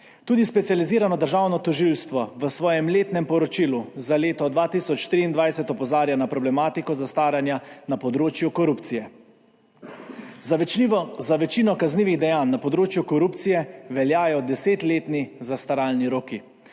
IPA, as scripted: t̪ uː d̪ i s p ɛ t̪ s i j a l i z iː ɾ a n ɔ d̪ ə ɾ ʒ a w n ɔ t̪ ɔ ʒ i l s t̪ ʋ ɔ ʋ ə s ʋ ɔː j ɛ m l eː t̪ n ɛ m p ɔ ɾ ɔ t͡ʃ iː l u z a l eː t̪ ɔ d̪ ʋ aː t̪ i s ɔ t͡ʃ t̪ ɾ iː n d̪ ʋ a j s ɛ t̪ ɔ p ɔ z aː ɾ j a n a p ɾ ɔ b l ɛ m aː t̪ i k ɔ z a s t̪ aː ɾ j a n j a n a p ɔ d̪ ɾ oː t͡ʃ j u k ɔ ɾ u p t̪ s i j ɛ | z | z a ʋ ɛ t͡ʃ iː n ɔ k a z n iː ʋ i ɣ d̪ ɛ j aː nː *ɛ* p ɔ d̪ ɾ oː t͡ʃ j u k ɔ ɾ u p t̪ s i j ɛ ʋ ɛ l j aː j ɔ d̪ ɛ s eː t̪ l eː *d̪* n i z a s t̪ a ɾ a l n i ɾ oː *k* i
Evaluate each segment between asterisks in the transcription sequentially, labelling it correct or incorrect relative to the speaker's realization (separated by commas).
incorrect, incorrect, correct